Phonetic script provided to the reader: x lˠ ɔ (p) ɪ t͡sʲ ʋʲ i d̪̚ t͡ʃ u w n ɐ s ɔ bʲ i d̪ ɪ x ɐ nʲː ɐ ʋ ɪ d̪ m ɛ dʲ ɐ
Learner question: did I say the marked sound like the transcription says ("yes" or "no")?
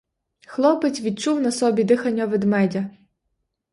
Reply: yes